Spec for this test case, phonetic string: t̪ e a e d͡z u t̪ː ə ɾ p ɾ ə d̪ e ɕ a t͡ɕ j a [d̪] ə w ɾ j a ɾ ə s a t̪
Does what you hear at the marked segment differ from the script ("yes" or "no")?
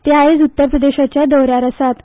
no